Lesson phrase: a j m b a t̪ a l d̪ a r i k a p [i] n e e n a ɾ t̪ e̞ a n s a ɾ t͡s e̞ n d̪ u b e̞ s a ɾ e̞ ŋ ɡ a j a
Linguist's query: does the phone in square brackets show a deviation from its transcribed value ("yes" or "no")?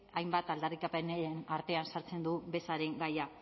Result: yes